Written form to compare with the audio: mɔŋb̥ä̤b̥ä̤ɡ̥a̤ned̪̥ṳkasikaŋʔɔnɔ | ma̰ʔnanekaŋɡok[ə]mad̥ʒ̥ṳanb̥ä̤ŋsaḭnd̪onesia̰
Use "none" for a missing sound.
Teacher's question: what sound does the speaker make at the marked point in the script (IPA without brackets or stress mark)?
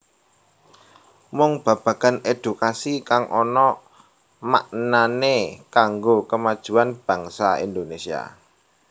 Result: ə